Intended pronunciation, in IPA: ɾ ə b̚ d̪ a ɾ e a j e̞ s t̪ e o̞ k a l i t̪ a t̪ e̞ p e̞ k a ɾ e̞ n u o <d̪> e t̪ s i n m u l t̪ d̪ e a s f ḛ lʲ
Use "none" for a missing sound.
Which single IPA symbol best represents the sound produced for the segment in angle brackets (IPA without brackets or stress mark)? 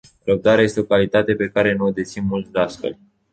d̪